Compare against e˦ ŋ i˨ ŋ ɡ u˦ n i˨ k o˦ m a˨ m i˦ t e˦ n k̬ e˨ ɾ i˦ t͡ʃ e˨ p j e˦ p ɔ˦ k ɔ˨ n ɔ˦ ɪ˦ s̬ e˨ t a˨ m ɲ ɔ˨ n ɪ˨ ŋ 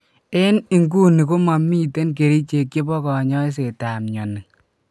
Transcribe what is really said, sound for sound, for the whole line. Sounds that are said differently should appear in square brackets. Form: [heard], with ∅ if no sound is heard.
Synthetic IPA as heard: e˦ [n] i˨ ŋ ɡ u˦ n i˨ k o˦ m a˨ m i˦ t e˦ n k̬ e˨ ɾ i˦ t͡ʃ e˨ [k] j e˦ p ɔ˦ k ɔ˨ [ɲ] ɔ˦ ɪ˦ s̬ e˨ t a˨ m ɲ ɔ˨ n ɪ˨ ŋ